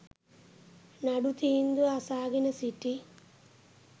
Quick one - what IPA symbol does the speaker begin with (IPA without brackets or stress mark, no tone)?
n